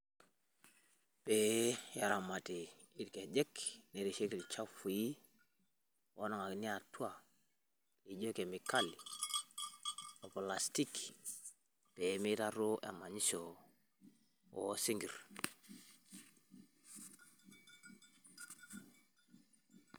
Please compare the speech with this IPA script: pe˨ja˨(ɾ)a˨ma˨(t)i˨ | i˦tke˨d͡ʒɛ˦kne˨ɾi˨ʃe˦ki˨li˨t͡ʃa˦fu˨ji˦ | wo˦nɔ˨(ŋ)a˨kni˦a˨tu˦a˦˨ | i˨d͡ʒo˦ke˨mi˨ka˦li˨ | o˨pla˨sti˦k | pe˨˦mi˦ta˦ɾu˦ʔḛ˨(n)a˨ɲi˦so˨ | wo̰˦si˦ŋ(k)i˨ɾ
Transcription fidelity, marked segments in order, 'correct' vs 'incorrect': correct, correct, correct, incorrect, incorrect

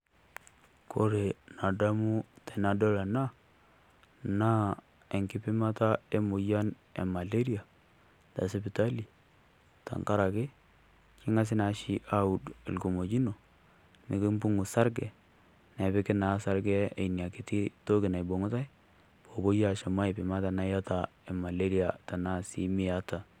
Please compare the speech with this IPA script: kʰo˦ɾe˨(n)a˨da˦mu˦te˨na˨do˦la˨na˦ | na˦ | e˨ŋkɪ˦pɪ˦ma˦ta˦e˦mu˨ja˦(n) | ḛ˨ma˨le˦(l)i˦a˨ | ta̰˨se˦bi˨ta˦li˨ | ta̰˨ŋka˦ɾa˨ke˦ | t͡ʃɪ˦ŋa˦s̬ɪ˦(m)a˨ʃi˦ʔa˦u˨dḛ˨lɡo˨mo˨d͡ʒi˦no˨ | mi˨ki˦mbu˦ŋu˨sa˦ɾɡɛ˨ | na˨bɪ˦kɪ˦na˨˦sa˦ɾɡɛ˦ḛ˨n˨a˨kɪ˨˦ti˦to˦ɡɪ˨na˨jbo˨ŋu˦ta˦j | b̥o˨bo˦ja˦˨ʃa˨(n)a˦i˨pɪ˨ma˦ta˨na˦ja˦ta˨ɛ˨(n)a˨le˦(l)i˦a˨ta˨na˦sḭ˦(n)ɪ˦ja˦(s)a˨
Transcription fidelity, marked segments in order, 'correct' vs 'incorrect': correct, correct, incorrect, incorrect, incorrect, incorrect, incorrect, incorrect, incorrect

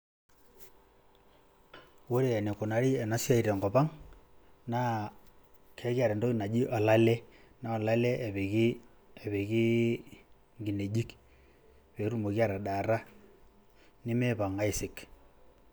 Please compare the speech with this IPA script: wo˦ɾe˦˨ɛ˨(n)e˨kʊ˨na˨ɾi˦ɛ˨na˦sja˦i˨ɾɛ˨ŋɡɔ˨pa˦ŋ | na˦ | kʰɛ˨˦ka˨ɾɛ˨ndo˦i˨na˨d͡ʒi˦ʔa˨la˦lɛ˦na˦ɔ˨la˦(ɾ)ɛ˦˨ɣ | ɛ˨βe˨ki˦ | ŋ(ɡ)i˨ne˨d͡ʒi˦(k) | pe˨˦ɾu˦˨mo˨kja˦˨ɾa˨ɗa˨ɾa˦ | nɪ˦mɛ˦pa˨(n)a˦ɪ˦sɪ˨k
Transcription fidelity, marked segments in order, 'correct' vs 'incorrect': correct, incorrect, correct, correct, incorrect

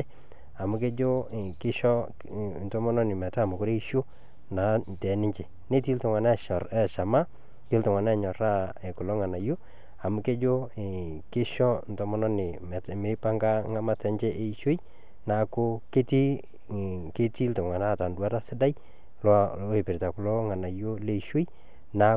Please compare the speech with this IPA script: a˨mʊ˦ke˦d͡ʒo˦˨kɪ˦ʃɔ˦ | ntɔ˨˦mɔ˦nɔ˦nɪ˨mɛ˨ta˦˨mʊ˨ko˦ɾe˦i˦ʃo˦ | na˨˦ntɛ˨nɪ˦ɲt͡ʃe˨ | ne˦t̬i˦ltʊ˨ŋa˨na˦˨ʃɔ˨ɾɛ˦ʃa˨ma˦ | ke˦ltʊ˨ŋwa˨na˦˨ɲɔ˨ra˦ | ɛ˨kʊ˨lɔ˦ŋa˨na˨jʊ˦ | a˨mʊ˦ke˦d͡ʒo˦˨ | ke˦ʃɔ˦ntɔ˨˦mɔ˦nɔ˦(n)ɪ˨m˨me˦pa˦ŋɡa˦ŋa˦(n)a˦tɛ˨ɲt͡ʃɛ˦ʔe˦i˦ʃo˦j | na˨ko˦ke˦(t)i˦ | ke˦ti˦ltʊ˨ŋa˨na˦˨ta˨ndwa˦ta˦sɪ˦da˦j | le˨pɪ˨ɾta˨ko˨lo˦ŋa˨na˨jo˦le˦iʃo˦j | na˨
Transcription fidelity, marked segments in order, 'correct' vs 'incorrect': correct, incorrect, correct

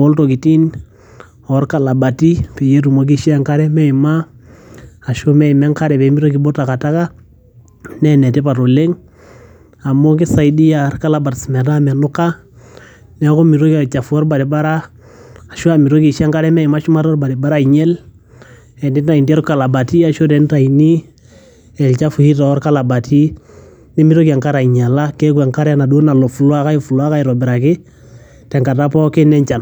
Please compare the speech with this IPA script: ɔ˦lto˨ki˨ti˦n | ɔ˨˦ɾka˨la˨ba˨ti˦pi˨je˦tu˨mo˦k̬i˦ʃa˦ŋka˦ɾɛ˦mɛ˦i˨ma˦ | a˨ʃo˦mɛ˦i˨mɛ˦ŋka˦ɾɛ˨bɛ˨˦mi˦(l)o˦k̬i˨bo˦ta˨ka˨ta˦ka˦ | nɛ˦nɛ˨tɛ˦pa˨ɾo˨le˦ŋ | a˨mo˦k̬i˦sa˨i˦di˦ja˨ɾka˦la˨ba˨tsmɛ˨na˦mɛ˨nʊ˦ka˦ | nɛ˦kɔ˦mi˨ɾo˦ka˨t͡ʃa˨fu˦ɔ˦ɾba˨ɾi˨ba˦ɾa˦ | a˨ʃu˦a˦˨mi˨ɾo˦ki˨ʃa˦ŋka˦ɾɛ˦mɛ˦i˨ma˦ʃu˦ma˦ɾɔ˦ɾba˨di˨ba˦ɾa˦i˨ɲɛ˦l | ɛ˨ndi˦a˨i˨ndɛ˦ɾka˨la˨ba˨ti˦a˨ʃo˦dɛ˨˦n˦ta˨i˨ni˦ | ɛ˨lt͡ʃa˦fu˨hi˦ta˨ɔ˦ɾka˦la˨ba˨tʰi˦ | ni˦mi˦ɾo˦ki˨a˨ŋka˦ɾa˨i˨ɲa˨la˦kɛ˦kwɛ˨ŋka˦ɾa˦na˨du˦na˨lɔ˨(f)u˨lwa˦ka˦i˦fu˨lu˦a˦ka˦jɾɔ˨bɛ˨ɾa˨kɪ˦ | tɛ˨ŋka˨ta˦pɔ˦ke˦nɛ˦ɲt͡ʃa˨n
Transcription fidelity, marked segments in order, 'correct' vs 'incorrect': incorrect, correct

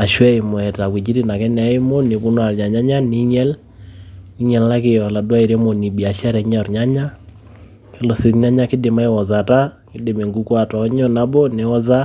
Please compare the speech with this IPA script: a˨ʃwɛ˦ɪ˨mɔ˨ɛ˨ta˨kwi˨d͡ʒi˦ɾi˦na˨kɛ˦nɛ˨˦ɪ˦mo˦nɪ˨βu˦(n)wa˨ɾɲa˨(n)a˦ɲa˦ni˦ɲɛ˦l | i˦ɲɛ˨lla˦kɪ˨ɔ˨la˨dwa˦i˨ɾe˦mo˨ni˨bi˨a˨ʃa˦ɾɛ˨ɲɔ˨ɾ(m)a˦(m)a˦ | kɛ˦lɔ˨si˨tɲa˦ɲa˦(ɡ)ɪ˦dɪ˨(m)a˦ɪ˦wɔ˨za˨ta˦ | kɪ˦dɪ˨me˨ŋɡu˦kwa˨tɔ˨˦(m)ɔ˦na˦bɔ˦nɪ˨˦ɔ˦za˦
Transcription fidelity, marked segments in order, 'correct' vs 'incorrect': correct, incorrect, incorrect, incorrect, incorrect, correct, incorrect

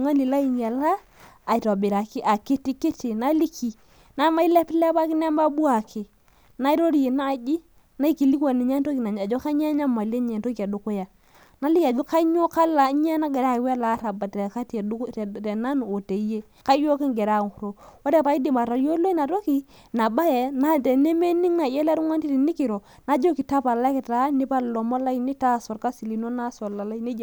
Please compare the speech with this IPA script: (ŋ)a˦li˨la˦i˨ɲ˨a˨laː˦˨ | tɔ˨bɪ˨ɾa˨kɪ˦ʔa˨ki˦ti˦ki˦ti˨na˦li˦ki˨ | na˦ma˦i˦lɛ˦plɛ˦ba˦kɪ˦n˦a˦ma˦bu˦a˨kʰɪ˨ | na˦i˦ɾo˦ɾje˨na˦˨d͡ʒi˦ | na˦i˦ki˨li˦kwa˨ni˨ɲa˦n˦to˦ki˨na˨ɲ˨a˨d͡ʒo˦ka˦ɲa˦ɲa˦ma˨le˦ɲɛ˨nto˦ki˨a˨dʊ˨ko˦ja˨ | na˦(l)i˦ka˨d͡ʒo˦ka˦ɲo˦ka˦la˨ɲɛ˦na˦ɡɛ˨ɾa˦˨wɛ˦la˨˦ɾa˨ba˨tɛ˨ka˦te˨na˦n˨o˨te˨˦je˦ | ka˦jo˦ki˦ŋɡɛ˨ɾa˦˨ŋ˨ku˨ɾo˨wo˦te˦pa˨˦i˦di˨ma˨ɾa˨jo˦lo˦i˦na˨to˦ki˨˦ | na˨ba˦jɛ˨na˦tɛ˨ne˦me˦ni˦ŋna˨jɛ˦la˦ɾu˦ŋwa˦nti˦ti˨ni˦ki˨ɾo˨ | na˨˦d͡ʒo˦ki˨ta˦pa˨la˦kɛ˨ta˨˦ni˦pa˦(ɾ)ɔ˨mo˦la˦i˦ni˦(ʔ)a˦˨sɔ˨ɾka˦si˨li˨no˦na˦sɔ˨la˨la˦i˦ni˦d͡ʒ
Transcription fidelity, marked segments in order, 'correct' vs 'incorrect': correct, correct, incorrect, incorrect

